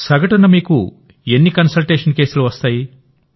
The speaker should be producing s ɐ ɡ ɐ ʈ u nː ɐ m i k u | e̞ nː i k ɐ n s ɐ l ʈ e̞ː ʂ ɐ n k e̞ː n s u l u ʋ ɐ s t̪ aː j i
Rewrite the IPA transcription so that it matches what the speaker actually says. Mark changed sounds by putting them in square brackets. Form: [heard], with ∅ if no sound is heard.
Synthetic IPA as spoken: s ɐ ɡ ɐ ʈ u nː ɐ m [iː] k u | e̞ nː i k ɐ n s ɐ l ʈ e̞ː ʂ ɐ n k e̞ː [∅] s u l u ʋ ɐ s t̪ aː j i